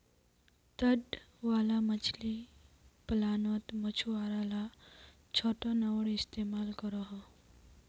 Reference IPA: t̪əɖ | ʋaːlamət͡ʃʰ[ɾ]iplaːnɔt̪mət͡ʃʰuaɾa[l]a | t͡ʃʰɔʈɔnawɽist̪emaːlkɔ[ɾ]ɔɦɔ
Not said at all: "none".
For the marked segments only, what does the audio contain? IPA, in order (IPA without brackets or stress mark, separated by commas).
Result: l, l, ɾ